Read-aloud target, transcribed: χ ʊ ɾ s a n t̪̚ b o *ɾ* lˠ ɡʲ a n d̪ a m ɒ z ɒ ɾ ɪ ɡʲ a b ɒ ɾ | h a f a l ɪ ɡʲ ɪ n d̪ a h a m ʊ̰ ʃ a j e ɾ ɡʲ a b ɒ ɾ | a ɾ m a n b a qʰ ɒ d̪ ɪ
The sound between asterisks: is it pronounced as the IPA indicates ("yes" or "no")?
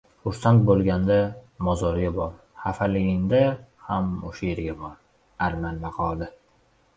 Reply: no